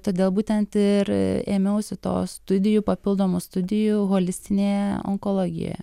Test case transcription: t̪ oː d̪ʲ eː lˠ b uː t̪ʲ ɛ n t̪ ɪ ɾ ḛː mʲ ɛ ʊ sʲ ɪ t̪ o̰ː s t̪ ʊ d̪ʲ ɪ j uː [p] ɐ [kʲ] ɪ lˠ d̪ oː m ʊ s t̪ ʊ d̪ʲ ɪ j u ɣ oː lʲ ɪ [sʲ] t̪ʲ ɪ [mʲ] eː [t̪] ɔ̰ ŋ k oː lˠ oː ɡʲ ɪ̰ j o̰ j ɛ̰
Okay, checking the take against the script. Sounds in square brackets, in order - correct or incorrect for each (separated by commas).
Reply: correct, incorrect, correct, incorrect, incorrect